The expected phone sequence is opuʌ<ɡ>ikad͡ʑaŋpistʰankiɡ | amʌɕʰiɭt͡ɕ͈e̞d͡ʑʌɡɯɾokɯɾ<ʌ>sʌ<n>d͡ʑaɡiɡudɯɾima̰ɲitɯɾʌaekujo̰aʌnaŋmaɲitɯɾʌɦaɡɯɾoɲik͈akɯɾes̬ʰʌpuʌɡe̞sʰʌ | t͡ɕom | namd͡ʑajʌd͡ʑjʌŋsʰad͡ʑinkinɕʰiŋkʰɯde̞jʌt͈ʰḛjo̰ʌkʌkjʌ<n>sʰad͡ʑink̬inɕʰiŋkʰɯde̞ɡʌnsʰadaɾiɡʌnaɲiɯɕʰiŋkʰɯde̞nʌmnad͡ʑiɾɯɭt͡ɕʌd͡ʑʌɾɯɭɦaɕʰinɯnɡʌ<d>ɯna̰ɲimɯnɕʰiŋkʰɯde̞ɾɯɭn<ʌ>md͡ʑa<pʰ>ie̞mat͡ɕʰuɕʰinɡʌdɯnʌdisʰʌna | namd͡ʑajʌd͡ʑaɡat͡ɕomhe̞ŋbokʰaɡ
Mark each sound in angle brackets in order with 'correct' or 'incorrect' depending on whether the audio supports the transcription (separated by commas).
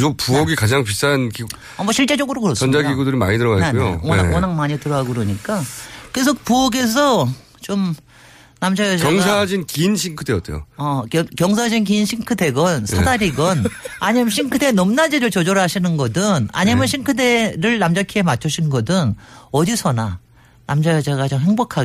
correct, correct, correct, incorrect, correct, incorrect, incorrect